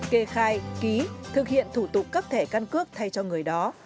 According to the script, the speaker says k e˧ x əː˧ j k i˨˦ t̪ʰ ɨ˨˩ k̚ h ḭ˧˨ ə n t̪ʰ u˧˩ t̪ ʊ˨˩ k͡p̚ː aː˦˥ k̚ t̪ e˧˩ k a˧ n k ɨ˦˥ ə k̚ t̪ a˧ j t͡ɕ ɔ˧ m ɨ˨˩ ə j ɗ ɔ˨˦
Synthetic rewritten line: k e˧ x aː˧ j k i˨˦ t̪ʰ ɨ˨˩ k̚ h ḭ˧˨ ə n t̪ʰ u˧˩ t̪ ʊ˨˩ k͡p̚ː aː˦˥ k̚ t̪ʰ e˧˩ k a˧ n k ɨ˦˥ ə k̚ t̪ʰ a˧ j t͡ɕ ɔ˧ ŋ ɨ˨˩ ə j ɗ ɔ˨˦